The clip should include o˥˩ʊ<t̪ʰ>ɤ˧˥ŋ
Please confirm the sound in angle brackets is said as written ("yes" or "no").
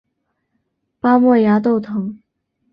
yes